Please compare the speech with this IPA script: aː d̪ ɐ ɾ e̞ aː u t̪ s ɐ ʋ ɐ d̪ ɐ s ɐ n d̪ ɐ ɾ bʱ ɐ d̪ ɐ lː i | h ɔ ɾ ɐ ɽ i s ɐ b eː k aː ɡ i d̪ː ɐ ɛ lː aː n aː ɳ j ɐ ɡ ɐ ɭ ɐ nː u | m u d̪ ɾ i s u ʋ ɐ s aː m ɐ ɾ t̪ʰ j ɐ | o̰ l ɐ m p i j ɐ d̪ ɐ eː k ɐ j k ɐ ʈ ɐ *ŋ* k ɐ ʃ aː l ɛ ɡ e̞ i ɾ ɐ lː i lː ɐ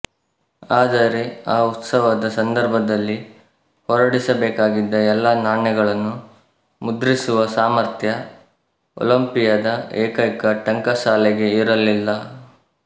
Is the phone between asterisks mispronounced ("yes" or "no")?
no